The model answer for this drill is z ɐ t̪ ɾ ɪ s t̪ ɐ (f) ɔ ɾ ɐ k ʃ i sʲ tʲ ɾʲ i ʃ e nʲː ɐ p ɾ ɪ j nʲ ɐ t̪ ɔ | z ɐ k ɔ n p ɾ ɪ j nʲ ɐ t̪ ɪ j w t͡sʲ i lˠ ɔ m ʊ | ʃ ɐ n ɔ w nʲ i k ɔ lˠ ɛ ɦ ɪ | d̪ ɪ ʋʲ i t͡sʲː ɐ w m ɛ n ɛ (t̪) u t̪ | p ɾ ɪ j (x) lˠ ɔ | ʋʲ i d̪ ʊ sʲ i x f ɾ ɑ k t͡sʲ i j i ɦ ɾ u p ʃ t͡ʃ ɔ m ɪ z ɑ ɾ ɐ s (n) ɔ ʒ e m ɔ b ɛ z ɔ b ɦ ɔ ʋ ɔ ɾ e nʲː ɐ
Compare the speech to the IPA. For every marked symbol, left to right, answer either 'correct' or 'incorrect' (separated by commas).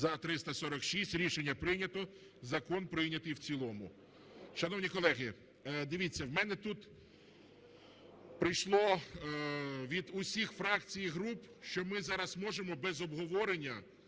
incorrect, correct, incorrect, incorrect